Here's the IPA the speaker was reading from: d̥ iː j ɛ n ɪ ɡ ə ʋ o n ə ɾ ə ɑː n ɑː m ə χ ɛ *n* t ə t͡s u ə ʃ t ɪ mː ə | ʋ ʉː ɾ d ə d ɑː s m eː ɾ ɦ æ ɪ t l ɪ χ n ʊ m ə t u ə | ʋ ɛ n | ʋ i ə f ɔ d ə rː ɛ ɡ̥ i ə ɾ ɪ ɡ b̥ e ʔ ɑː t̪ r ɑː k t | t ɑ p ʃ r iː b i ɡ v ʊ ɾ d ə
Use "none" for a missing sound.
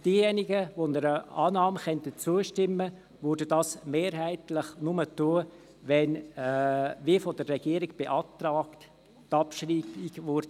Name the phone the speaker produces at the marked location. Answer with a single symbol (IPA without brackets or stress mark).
n